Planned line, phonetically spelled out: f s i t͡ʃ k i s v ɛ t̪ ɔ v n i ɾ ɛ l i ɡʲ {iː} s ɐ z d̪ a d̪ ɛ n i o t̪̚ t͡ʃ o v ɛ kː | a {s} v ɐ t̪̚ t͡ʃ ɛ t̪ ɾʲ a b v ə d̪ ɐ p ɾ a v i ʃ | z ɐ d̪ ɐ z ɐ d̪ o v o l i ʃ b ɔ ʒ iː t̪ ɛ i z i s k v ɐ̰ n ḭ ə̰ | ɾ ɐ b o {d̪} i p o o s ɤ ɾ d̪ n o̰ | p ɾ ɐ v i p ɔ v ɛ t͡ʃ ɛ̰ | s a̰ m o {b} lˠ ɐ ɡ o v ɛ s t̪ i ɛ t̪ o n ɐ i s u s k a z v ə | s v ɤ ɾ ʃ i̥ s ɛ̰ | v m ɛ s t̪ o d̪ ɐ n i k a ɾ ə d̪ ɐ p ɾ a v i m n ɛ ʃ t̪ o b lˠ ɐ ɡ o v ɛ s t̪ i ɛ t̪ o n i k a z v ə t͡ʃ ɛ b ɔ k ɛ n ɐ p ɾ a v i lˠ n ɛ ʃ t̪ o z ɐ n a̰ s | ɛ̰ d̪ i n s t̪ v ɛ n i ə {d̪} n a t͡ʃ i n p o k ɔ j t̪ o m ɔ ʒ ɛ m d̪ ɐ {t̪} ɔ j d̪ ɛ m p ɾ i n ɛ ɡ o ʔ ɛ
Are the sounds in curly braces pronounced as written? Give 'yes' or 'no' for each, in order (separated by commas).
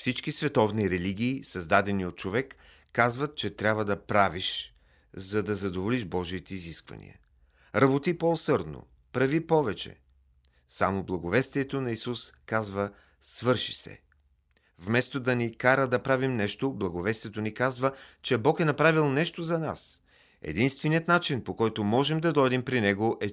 yes, no, no, yes, no, no